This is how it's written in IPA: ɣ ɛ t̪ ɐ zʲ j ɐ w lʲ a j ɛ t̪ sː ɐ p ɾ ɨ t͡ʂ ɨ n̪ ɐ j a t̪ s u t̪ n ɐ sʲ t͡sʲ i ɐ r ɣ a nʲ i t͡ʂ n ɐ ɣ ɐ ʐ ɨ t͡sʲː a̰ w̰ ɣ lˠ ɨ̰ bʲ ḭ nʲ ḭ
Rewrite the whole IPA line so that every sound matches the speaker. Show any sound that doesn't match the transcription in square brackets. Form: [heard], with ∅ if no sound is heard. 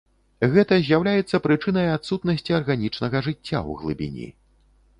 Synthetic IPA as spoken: ɣ ɛ t̪ ɐ zʲ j [a] w lʲ a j ɛ t̪ sː ɐ p ɾ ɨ t͡ʂ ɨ n̪ ɐ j a t̪ s u t̪ n ɐ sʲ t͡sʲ i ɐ r ɣ a nʲ i t͡ʂ n ɐ ɣ ɐ ʐ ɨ t͡sʲː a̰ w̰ ɣ lˠ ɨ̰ bʲ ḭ nʲ ḭ